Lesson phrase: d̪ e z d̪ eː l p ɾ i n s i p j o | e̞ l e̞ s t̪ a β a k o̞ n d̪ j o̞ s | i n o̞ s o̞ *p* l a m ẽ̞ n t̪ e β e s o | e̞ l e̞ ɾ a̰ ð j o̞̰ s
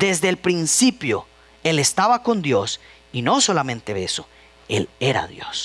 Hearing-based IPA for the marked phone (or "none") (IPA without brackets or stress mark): none